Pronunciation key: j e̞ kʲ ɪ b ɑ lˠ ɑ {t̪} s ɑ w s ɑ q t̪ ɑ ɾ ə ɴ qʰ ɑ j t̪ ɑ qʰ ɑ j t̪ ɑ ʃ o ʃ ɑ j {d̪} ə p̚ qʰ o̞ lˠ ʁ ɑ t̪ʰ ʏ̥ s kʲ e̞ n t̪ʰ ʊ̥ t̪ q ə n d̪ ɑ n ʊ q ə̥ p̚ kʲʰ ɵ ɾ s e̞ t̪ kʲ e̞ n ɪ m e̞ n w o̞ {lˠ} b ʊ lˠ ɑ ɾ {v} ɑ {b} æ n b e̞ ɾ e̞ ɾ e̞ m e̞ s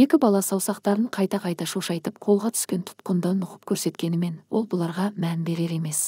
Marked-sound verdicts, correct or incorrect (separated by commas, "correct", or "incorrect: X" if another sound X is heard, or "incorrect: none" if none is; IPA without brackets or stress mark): incorrect: none, incorrect: t̪, correct, incorrect: ʁ, incorrect: m